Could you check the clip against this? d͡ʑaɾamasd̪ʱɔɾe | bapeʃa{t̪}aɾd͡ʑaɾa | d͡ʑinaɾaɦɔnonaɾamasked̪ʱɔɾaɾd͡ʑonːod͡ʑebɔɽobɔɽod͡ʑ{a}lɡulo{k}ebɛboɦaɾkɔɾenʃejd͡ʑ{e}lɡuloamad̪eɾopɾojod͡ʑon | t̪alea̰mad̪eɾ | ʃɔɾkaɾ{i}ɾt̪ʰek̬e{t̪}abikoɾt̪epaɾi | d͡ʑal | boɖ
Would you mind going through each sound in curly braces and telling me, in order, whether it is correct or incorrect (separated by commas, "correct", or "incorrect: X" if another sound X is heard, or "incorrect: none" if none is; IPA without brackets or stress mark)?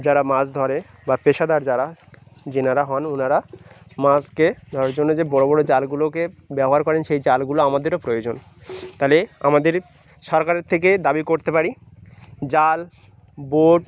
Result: incorrect: d̪, correct, correct, incorrect: a, incorrect: e, incorrect: d̪